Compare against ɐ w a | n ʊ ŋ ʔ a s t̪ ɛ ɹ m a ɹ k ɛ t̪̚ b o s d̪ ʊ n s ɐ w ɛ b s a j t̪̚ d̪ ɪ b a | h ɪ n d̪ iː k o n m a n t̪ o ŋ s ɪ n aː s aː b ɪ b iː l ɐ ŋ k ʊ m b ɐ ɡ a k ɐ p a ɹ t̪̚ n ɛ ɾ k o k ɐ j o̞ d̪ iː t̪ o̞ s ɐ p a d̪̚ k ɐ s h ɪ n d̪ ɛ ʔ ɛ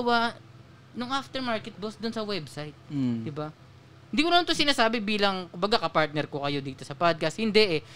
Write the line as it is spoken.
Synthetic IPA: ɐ w a | n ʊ ŋ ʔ a f t̪ ɛ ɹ m a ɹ k ɛ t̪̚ b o s d̪ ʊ n s ɐ w ɛ b s a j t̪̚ d̪ ɪ b a | h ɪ n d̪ iː k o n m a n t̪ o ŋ s ɪ n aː s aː b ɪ b iː l ɐ ŋ k ʊ m b ɐ ɡ a k ɐ p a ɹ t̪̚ n ɛ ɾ k o k ɐ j o̞ d̪ iː t̪ o̞ s ɐ p a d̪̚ k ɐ s h ɪ n d̪ ɛ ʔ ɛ